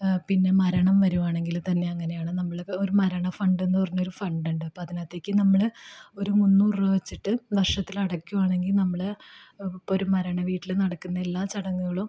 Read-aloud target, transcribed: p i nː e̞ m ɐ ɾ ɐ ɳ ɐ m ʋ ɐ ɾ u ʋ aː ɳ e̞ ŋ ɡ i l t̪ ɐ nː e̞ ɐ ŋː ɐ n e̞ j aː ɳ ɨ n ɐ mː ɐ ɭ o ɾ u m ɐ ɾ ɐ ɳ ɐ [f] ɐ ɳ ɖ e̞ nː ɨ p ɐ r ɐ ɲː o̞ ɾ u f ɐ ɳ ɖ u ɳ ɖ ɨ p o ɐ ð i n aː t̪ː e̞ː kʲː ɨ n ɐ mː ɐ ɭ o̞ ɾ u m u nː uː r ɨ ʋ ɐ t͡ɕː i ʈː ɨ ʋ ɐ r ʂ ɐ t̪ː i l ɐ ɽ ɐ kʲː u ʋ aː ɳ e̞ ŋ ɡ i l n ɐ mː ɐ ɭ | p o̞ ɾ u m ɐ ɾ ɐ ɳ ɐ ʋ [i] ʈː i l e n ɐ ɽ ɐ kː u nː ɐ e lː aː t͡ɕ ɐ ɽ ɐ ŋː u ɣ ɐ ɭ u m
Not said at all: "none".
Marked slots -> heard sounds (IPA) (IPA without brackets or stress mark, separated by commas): f, iː